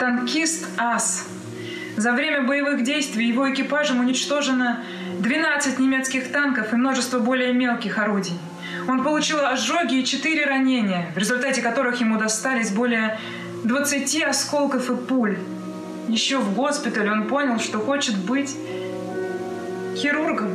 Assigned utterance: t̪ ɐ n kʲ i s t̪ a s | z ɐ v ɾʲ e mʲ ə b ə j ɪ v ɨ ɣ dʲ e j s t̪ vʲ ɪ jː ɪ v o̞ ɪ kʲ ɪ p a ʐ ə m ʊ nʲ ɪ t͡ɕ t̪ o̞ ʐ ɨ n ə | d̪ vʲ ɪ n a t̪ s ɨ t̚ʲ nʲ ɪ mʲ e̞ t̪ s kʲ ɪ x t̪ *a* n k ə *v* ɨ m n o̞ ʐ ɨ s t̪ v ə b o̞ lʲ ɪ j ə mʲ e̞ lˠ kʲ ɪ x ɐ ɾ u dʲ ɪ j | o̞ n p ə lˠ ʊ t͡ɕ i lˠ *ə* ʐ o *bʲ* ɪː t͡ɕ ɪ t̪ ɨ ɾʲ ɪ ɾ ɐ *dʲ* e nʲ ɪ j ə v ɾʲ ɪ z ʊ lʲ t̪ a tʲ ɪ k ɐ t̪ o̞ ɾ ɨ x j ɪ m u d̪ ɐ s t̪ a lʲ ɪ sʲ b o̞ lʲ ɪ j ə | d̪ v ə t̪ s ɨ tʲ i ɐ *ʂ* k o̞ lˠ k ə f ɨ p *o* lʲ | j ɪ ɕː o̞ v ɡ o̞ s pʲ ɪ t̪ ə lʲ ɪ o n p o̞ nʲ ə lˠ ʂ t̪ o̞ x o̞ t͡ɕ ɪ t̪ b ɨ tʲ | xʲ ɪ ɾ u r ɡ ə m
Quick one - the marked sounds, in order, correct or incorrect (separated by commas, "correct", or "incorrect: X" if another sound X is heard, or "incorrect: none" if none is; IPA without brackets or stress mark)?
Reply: correct, incorrect: f, incorrect: ɐ, incorrect: ɡʲ, incorrect: nʲ, incorrect: s, incorrect: u